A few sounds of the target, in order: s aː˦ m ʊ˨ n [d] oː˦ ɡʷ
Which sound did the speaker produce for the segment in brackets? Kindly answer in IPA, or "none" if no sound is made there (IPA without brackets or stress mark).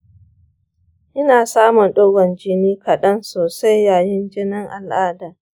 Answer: ɗ